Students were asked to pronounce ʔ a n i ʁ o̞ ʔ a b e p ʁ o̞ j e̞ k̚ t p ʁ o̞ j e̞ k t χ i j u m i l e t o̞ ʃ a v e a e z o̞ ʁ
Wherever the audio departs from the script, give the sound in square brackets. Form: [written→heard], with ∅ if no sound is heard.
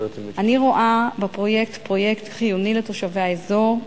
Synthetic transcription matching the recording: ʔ a n i ʁ o̞ ʔ a b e p ʁ o̞ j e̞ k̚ t p ʁ o̞ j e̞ k t χ i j u [m→n] i l e t o̞ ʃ a v e a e z o̞ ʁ